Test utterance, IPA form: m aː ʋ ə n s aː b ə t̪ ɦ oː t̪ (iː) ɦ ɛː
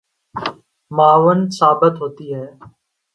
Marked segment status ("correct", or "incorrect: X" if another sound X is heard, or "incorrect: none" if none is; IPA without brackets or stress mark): correct